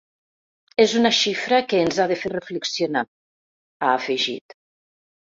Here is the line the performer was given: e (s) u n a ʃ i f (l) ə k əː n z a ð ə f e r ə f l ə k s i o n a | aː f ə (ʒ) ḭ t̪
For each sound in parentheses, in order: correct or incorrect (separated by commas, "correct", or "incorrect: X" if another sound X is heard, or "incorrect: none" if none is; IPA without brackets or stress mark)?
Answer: incorrect: z, incorrect: ɾ, correct